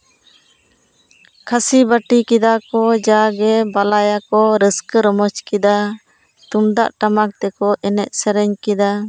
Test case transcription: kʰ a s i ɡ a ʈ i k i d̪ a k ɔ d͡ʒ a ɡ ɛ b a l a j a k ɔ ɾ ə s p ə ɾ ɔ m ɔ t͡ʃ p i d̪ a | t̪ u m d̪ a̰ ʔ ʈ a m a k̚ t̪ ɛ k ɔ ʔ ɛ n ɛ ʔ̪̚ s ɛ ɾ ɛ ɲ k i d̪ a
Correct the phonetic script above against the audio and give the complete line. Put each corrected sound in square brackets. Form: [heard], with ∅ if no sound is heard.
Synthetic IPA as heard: kʰ a s i [b] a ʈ i k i d̪ a k ɔ d͡ʒ a ɡ ɛ b a l a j a k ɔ ɾ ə s [k] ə ɾ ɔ m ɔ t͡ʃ [k] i d̪ a | t̪ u m d̪ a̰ ʔ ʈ a m a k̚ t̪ ɛ k ɔ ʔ ɛ n ɛ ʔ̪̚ s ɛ ɾ ɛ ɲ k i d̪ a

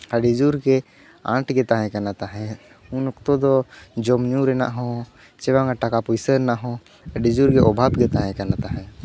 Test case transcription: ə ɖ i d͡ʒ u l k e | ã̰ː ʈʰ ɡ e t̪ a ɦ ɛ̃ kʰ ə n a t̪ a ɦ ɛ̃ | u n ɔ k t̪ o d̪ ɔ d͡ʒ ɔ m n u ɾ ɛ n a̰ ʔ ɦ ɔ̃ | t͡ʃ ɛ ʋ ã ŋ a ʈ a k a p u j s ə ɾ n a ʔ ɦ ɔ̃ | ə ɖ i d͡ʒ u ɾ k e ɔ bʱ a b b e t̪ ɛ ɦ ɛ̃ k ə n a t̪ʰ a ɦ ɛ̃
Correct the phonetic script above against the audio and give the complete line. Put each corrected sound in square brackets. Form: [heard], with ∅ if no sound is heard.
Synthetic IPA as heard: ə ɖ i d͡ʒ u [ɾ] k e | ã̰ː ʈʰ ɡ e t̪ a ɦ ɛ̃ [k] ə n a t̪ a ɦ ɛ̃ | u n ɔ k t̪ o d̪ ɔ d͡ʒ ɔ m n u ɾ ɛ n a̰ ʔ ɦ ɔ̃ | t͡ʃ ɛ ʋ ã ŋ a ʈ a k a p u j s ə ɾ n a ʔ ɦ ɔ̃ | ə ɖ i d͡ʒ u ɾ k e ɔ bʱ a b [ɡ] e t̪ [a] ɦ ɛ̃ k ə n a [t̪] a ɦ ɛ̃

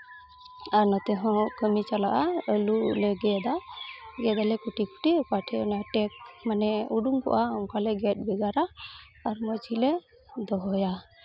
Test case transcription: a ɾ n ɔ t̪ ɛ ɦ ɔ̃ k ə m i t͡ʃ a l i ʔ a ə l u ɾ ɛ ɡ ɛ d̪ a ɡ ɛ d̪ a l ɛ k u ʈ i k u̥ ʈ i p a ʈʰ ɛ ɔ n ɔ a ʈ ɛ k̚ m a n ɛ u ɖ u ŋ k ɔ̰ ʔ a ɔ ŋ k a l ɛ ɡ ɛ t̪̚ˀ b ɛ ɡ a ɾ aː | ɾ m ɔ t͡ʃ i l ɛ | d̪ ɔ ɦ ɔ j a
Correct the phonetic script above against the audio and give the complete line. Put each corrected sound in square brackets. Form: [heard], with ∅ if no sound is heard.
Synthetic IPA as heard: a ɾ n ɔ t̪ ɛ ɦ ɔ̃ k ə m i t͡ʃ a l [a] ʔ a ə l u [l] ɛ ɡ ɛ d̪ a ɡ ɛ d̪ a l ɛ k u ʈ i k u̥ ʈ i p a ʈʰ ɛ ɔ n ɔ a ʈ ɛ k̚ m a n ɛ u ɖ u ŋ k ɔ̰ ʔ a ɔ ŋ k a l ɛ ɡ ɛ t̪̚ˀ b ɛ ɡ a ɾ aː | ɾ m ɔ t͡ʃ i l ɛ | d̪ ɔ ɦ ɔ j a

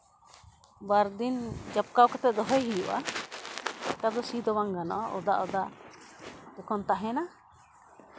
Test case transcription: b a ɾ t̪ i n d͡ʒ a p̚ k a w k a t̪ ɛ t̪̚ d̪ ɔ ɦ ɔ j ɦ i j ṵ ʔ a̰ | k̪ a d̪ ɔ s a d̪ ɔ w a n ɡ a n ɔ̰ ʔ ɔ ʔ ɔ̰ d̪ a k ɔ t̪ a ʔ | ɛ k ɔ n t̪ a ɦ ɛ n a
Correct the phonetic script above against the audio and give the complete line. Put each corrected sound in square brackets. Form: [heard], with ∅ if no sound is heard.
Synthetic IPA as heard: b a ɾ [d̪] i n d͡ʒ a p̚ k a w k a t̪ ɛ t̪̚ d̪ ɔ ɦ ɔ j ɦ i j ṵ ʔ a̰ | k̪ a d̪ ɔ s [i] d̪ ɔ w a [ŋ] ɡ a n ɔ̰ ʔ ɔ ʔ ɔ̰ d̪ a [ʔ] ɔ [d̪] a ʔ | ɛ k ɔ n t̪ a ɦ ɛ n a

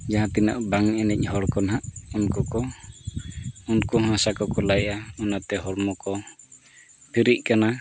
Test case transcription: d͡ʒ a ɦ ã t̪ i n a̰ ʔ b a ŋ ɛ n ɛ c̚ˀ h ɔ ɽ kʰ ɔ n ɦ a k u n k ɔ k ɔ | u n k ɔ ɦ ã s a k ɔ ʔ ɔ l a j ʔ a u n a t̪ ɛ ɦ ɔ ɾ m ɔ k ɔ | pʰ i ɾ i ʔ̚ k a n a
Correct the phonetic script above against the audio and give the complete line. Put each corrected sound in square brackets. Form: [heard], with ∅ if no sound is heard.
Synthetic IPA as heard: d͡ʒ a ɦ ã t̪ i n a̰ ʔ b a ŋ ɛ n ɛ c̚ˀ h ɔ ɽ [k] ɔ n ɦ a [ʔ] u n k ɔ k ɔ | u n k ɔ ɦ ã s a k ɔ [k] ɔ l a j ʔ a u n a t̪ ɛ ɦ ɔ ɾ m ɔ k ɔ | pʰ i ɾ i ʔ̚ k a n a

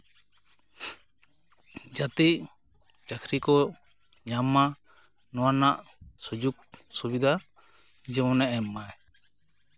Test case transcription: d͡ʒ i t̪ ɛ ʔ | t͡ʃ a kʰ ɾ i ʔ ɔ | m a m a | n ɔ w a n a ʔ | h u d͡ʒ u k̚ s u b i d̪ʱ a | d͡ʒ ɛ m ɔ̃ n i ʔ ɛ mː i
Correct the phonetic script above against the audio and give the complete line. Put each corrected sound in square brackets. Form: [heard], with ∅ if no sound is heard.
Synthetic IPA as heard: d͡ʒ [a] t̪ [i] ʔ | t͡ʃ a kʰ ɾ i [k] ɔ | [ɲ] a m a | n ɔ w a n a ʔ | [s] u d͡ʒ u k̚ s u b i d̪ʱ a | d͡ʒ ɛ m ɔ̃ n [ɛ] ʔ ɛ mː [a]

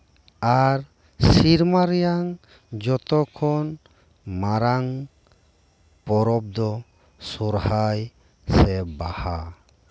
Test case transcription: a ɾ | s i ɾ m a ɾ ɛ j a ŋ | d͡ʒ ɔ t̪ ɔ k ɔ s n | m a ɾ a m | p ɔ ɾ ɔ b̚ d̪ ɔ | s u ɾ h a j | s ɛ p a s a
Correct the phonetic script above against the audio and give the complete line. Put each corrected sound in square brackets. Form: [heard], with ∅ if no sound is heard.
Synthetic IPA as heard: a ɾ | s i ɾ m a ɾ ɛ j a ŋ | d͡ʒ ɔ t̪ ɔ [kʰ] ɔ [∅] n | m a ɾ a [ŋ] | p ɔ ɾ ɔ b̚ d̪ ɔ | s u ɾ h a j | s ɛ [b] a [h] a

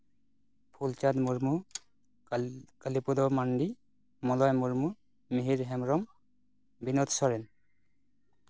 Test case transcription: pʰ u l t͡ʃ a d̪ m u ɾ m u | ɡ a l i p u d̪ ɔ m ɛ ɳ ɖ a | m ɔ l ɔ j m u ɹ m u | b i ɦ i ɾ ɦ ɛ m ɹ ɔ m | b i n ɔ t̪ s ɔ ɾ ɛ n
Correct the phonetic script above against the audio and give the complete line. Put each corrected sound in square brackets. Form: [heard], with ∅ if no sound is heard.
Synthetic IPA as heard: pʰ u l t͡ʃ a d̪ m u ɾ m u | [k] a l i p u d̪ ɔ m [a] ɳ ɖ [i] | m ɔ l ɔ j m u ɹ m u | [m] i ɦ i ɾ ɦ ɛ m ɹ ɔ m | b i n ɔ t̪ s ɔ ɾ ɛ n

